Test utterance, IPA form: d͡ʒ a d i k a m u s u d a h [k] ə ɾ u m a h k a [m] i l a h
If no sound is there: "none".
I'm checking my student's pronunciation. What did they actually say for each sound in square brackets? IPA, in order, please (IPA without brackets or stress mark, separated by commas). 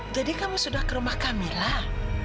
k, m